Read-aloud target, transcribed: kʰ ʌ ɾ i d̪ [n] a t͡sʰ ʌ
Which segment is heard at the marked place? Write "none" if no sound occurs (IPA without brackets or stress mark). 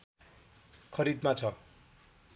m